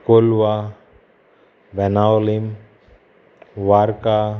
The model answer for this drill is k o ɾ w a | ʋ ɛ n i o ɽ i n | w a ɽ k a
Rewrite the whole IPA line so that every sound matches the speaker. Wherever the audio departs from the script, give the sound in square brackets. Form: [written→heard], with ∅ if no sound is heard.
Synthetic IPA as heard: k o [ɾ→l] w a | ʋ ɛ n [i→a] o [ɽ→l] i [n→m] | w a [ɽ→ɾ] k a